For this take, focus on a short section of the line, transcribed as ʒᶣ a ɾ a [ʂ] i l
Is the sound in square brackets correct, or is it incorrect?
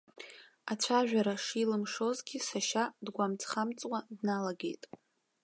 correct